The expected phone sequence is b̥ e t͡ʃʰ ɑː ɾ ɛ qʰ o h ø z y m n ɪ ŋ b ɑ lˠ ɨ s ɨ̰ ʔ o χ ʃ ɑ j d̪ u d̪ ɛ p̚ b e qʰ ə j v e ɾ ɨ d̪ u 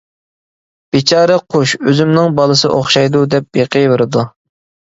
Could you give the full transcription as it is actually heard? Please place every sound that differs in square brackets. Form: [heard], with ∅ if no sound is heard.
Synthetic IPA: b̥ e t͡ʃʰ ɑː ɾ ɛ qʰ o [ʃ] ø z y m n ɪ ŋ b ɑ lˠ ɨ s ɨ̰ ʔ o χ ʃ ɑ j d̪ u d̪ ɛ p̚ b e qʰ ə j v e ɾ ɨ d̪ u